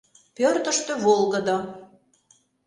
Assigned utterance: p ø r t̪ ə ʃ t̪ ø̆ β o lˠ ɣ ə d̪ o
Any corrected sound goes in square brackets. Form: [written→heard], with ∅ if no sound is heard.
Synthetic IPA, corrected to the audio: p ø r t̪ ə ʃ t̪ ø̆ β o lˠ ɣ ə d̪ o